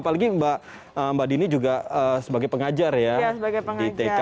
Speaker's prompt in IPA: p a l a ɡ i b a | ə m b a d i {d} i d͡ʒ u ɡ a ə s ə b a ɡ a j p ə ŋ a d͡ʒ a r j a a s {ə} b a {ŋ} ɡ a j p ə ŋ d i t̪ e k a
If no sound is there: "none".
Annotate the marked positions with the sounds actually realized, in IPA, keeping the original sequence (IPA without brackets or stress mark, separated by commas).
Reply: n, ə, none